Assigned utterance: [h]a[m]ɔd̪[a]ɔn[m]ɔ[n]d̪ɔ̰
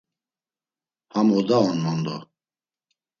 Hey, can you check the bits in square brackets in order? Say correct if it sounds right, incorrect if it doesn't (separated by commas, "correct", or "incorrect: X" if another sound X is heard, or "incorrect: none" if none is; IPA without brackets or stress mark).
correct, correct, correct, correct, correct